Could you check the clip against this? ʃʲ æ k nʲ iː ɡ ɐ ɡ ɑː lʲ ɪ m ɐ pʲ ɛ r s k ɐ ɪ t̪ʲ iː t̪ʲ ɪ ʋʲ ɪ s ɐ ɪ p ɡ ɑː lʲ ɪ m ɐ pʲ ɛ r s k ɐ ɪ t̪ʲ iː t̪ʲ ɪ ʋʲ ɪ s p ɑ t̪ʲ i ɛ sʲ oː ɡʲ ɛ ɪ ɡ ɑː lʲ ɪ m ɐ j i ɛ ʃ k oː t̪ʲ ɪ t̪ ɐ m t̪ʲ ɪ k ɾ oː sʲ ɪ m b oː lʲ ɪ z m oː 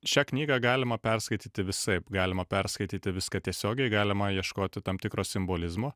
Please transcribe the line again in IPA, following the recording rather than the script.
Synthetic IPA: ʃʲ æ k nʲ iː ɡ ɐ ɡ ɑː lʲ ɪ m ɐ pʲ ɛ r s k ɐ ɪ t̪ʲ iː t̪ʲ ɪ ʋʲ ɪ s ɐ ɪ p ɡ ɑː lʲ ɪ m ɐ pʲ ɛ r s k ɐ ɪ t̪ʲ iː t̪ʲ ɪ ʋʲ ɪ s k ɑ t̪ʲ i ɛ sʲ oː ɡʲ ɛ ɪ ɡ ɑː lʲ ɪ m ɐ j i ɛ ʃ k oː t̪ʲ ɪ t̪ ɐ m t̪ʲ ɪ k ɾ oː sʲ ɪ m b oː lʲ ɪ z m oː